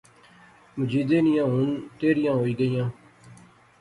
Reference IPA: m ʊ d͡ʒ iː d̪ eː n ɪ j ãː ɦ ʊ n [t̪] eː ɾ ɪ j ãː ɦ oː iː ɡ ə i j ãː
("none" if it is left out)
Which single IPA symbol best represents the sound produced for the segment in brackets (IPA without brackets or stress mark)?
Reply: t̪